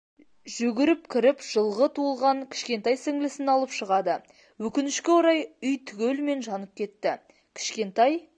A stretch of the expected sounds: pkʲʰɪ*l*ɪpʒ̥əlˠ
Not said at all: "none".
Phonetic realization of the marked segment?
ɾ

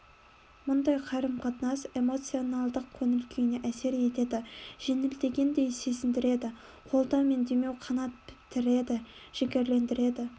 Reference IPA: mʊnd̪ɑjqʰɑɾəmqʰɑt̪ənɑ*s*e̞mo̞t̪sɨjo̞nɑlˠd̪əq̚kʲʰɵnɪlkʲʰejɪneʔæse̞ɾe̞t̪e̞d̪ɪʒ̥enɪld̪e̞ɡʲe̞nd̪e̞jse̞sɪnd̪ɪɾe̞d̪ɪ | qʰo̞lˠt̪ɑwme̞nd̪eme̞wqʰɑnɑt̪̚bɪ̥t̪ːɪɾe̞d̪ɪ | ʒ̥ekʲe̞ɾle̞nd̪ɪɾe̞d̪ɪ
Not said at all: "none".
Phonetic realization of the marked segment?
s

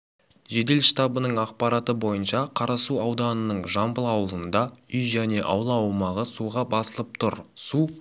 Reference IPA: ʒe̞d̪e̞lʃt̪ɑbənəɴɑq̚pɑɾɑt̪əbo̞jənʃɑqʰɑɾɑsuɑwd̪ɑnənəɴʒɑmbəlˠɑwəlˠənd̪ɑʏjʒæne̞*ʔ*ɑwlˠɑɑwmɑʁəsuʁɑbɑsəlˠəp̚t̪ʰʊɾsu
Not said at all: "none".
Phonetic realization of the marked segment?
ʔ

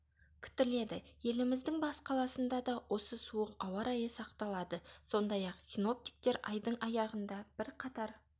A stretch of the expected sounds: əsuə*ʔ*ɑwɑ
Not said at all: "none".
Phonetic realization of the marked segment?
q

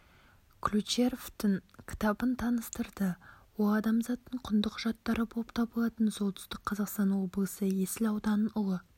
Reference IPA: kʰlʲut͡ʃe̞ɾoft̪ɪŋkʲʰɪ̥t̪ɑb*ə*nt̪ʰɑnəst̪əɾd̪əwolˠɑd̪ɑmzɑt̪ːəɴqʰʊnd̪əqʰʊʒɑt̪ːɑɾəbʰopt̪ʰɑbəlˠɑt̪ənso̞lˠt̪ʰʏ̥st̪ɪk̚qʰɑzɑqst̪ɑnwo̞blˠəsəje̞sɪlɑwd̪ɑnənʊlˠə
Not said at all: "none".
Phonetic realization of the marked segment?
ə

